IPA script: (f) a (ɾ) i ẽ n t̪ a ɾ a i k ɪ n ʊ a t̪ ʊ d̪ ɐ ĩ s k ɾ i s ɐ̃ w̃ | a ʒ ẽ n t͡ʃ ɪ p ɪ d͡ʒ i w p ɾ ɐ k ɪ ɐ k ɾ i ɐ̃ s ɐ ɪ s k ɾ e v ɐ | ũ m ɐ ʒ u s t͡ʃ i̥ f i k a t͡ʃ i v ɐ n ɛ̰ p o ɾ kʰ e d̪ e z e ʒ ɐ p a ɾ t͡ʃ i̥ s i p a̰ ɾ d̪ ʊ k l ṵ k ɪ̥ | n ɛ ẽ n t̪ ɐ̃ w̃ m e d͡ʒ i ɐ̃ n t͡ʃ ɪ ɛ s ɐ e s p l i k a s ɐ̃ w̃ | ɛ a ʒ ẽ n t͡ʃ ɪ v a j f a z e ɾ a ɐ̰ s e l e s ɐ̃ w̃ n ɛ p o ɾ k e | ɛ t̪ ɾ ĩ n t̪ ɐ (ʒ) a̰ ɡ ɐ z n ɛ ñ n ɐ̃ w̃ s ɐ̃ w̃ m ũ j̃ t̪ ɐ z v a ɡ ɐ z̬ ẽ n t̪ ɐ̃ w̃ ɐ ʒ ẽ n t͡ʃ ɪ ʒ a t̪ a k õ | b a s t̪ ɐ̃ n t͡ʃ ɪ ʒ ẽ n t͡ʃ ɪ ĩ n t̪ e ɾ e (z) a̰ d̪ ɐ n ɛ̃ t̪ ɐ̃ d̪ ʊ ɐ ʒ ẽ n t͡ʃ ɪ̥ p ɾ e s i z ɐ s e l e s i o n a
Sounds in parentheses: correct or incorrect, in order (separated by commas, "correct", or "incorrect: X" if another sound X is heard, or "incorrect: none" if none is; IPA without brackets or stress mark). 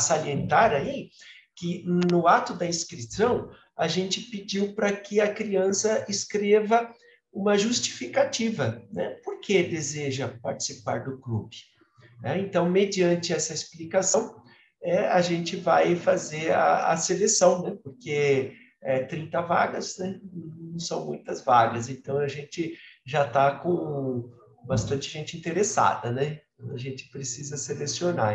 incorrect: s, incorrect: l, incorrect: v, incorrect: s